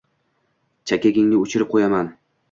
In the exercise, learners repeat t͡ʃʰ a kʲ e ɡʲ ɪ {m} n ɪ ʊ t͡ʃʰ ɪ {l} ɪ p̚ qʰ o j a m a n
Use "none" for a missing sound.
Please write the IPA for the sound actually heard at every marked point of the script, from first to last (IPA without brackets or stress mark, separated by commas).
ŋ, ɾ